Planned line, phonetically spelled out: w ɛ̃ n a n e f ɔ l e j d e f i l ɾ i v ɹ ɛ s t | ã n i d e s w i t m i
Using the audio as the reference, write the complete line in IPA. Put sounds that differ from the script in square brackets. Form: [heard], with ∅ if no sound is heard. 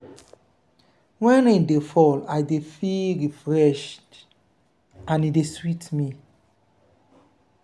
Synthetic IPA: w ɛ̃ n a [d] e f ɔ l [a] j d e f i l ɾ i [f] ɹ ɛ [ʃ] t | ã n i d e s w i t m i